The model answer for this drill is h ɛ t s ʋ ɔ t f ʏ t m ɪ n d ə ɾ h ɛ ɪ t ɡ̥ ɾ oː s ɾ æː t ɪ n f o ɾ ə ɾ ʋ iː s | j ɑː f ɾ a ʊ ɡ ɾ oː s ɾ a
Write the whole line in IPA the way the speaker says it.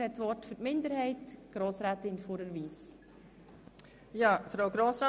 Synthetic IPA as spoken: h ɛ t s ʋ ɔ t f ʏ t m ɪ n d ə ɾ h ɛ ɪ t ɡ̥ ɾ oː s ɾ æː t ɪ n f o ɾ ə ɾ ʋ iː s | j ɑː f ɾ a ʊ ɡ ɾ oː s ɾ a